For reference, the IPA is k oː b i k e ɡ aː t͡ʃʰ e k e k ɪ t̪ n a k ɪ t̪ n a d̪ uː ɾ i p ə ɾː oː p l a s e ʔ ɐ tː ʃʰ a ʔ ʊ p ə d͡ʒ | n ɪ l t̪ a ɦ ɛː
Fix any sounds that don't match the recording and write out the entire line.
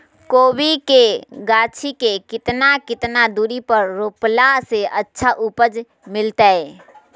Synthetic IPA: k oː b i k e ɡ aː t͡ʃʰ i k e k ɪ t̪ n a k ɪ t̪ n a d̪ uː ɾ i p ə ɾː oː p l a s e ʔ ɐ tː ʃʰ a ʔ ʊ p ə d͡ʒ | m ɪ l t̪ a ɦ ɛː